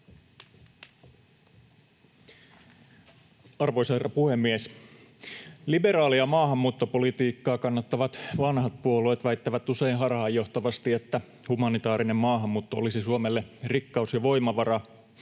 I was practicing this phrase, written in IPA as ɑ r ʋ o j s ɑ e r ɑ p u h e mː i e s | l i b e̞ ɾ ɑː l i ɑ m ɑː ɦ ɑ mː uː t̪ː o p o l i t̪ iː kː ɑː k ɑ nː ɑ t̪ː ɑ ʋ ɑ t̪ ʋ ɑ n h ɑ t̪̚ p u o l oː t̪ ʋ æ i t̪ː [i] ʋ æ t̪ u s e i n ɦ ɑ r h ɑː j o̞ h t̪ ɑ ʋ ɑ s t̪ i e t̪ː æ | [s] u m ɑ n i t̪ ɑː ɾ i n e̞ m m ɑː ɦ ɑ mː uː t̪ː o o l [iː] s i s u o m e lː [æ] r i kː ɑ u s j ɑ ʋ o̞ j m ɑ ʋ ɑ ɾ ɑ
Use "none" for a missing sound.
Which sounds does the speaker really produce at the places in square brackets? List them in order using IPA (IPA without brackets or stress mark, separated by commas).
æ, h, i, e